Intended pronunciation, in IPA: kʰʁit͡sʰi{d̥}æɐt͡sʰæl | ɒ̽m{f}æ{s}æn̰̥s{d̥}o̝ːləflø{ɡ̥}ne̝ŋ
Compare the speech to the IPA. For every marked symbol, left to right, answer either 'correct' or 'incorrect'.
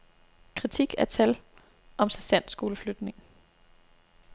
incorrect, incorrect, correct, incorrect, incorrect

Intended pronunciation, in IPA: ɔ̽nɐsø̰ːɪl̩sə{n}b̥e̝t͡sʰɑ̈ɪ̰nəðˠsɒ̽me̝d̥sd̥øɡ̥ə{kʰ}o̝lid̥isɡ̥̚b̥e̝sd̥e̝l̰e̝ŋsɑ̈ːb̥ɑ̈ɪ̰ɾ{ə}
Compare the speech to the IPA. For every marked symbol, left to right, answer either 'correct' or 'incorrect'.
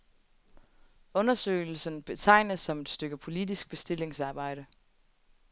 correct, incorrect, correct

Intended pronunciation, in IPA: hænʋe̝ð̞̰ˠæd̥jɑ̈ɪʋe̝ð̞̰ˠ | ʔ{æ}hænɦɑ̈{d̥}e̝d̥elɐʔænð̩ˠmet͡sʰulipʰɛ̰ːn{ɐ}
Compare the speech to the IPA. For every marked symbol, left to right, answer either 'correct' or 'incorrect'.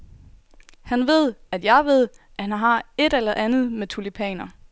correct, incorrect, correct

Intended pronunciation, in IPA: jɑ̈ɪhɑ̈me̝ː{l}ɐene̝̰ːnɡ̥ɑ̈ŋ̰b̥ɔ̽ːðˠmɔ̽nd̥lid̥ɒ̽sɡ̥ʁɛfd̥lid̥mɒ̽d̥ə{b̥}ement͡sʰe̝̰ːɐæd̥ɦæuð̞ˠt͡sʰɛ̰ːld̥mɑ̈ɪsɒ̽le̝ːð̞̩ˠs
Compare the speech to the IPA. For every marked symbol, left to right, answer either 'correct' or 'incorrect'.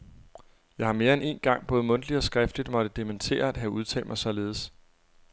incorrect, incorrect

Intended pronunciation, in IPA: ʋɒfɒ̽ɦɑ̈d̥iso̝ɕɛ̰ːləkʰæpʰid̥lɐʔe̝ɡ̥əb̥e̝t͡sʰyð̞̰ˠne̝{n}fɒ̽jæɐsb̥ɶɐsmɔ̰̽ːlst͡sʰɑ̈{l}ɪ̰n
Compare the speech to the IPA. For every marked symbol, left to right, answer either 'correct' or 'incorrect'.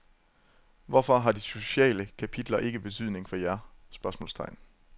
incorrect, incorrect

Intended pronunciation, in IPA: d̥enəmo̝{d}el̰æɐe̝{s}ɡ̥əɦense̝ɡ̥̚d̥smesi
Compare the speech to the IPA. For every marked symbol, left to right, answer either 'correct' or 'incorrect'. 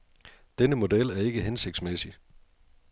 correct, incorrect

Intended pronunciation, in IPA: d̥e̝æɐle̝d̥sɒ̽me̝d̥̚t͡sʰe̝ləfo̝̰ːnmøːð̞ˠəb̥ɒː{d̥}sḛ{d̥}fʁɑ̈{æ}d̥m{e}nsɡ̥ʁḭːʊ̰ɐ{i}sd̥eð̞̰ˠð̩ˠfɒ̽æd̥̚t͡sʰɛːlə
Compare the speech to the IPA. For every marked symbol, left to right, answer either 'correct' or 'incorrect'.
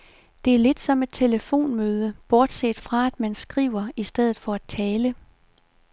correct, correct, correct, incorrect, correct

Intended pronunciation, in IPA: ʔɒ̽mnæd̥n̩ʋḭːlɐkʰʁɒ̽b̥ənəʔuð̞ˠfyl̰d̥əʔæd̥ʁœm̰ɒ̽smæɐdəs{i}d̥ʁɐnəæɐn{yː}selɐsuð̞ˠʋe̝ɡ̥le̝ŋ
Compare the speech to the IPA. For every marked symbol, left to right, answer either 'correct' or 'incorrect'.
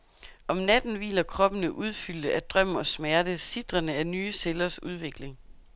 correct, correct

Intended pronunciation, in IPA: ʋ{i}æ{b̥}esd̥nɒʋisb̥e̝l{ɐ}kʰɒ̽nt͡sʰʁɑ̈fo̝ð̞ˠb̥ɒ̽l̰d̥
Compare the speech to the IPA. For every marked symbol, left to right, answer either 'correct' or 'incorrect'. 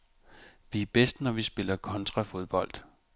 correct, correct, correct

